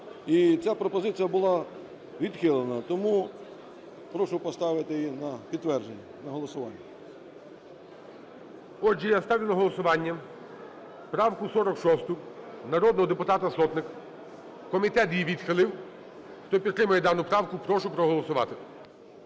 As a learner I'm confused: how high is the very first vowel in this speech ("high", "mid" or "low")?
high